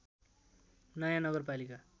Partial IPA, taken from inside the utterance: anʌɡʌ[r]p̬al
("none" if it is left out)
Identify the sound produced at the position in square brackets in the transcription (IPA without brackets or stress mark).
r